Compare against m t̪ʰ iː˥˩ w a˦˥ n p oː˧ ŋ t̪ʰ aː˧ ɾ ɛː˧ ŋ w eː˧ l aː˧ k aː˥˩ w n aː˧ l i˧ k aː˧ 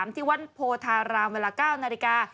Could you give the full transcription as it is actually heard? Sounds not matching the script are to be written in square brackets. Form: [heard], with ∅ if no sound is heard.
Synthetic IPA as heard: m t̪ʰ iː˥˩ w a˦˥ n [pʰ] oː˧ [∅] t̪ʰ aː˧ ɾ [aː˧] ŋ w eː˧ l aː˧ k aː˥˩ w n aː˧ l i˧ k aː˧